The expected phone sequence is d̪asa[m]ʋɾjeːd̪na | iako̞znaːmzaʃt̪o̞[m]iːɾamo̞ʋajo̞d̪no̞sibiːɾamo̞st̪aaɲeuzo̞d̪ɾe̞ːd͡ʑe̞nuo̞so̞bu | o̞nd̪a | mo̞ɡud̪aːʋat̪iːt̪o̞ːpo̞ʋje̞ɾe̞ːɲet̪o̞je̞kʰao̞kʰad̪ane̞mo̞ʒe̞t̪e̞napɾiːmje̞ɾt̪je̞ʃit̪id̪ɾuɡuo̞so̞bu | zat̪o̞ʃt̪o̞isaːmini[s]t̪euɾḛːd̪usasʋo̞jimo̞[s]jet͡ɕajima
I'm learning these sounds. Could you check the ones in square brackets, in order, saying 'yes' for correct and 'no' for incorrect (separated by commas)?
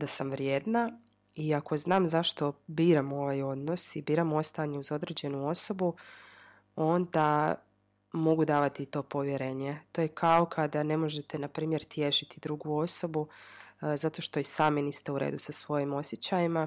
yes, no, yes, yes